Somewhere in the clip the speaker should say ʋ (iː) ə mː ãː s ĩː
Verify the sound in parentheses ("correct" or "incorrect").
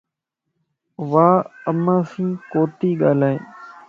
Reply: incorrect